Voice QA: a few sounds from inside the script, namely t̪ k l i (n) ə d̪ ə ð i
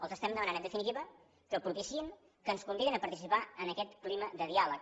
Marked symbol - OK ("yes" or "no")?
no